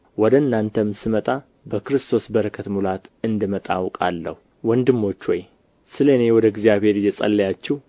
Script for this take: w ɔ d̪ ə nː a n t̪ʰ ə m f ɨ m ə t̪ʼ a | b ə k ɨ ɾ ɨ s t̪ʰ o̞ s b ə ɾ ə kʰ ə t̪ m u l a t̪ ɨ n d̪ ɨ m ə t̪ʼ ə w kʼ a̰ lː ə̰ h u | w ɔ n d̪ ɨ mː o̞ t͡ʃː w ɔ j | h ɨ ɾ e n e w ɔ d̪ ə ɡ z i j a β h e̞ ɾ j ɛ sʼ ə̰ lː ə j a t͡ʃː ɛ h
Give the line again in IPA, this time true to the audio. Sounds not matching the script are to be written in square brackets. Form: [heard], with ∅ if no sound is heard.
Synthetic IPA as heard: w ɔ d̪ ə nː a n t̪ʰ ə m [s] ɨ m ə t̪ʼ a | b ə k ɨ ɾ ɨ s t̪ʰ o̞ s b ə ɾ ə kʰ ə t̪ m u l a t̪ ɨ n d̪ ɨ m ə t̪ʼ [a] w kʼ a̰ lː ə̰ h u | w ɔ n d̪ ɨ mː o̞ t͡ʃː w ɔ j | [s] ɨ [l] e n e w ɔ d̪ ə ɡ z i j a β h e̞ ɾ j ɛ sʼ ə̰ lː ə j a t͡ʃː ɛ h